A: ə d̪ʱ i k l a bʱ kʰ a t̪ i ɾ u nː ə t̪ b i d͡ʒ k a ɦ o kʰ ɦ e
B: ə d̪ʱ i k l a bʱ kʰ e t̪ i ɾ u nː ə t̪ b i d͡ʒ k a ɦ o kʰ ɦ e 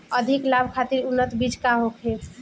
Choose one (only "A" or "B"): A